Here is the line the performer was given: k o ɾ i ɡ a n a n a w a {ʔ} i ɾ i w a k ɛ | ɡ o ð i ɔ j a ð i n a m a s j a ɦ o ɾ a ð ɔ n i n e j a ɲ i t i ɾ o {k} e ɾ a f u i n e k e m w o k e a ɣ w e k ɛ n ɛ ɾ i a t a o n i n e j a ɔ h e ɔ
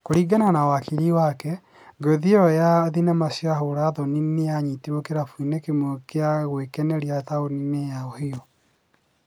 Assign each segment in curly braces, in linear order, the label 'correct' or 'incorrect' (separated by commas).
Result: incorrect, correct